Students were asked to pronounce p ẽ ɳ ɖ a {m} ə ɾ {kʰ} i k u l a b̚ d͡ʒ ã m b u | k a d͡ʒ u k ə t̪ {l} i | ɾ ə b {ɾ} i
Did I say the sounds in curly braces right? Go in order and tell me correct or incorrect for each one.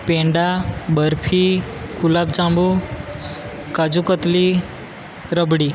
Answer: incorrect: b, incorrect: pʰ, correct, incorrect: ɽ

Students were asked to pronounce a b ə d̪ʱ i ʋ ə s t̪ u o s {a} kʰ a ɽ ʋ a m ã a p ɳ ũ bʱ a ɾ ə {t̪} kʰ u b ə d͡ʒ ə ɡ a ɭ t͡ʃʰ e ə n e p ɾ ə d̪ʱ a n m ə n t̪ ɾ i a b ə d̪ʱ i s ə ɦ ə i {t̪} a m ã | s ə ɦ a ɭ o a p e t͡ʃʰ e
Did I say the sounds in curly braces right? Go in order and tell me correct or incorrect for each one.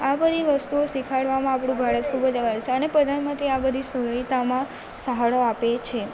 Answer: incorrect: i, correct, correct

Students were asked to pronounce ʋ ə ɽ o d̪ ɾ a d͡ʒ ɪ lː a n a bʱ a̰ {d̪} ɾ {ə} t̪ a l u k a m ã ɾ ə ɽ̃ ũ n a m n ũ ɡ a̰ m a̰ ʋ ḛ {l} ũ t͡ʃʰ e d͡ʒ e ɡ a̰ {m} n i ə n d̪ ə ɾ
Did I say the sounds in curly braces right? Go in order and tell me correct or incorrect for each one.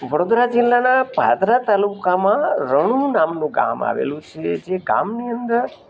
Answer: correct, incorrect: a, correct, correct

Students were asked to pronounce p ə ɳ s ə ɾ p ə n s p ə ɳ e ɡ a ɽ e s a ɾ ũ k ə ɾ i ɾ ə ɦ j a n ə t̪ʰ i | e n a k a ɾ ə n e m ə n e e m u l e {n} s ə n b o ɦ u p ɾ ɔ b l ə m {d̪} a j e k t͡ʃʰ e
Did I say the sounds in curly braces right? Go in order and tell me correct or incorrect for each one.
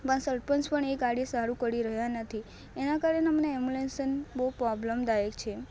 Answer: correct, correct

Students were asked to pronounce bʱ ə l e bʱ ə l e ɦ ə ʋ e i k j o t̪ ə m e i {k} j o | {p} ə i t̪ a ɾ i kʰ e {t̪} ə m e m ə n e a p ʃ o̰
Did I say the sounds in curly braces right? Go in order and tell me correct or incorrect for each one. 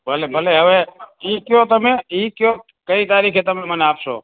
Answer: correct, incorrect: k, correct

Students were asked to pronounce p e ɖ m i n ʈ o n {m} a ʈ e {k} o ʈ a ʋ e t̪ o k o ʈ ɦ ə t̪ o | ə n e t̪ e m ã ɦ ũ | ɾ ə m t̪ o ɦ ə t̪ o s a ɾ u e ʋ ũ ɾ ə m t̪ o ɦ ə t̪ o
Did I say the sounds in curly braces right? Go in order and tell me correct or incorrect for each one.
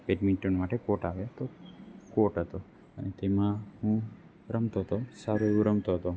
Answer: correct, correct

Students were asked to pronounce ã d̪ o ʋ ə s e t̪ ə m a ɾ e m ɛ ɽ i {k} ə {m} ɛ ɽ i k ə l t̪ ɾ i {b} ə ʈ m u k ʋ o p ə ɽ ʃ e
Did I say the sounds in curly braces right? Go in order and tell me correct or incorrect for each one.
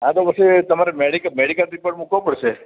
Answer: correct, correct, incorrect: p

